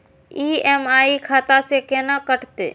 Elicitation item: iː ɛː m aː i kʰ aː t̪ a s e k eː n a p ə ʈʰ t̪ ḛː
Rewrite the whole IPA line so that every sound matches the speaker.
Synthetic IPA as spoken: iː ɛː m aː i kʰ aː t̪ a s e k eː n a k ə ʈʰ t̪ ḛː